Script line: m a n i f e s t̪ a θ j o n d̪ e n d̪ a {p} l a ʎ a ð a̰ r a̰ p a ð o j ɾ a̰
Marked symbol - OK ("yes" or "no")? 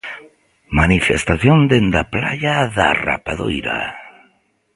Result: yes